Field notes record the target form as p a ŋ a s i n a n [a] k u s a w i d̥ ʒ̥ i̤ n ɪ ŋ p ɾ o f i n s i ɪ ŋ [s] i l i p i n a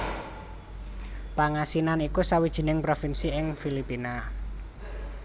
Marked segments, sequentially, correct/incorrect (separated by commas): incorrect, incorrect